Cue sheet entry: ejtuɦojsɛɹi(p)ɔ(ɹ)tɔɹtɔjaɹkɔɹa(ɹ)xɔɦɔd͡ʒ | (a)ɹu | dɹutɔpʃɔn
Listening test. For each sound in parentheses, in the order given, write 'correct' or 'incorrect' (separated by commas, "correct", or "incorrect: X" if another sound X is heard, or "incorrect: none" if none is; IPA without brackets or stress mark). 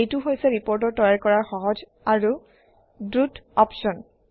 correct, correct, correct, correct